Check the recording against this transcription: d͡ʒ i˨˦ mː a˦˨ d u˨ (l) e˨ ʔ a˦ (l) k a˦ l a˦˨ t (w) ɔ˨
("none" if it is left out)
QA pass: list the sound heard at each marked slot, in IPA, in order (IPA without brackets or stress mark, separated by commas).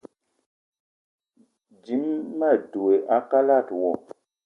none, none, w